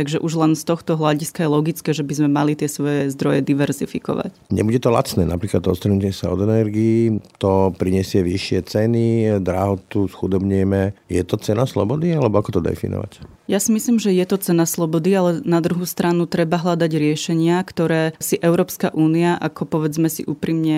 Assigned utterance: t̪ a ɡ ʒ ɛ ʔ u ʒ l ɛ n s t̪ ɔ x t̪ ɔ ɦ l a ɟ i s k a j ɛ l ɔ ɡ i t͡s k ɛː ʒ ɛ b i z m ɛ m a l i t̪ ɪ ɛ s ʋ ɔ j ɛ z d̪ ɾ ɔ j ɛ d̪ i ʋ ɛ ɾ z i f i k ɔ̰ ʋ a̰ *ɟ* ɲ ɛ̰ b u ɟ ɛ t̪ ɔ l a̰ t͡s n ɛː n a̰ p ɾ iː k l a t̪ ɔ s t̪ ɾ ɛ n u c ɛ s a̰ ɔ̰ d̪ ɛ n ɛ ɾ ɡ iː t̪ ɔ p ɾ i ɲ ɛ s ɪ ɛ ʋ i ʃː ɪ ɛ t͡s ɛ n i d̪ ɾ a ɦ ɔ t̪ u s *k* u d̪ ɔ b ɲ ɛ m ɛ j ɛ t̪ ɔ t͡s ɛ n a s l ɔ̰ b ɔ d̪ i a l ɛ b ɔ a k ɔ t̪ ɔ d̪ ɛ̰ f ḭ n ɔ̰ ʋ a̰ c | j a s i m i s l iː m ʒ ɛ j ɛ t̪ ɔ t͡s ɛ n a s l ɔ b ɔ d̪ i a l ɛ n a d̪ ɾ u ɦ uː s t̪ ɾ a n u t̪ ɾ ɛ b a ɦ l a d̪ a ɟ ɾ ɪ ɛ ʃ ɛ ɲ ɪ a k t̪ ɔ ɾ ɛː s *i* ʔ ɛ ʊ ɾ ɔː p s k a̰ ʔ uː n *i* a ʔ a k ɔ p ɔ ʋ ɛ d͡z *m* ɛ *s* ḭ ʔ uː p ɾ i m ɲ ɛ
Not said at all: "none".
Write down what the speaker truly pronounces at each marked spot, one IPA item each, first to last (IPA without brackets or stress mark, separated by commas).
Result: c, x, i, i, m, s